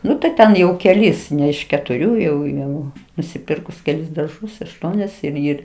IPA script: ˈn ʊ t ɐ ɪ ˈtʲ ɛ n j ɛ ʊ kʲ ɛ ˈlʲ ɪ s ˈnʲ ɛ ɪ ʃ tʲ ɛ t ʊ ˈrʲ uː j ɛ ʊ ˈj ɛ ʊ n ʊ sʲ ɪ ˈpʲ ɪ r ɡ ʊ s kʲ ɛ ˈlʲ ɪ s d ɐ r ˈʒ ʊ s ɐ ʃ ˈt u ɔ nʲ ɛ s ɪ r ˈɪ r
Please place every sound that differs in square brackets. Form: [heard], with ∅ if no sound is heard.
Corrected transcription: ˈn ʊ t ɐ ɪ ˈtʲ ɛ n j ɛ ʊ kʲ ɛ ˈlʲ ɪ s ˈnʲ ɛ ɪ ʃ [kʲ] ɛ t ʊ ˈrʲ uː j ɛ ʊ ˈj ɛ ʊ n ʊ sʲ ɪ ˈpʲ ɪ r [k] ʊ s kʲ ɛ ˈlʲ ɪ s d ɐ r ˈʒ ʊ s ɐ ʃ ˈt u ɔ nʲ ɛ s ɪ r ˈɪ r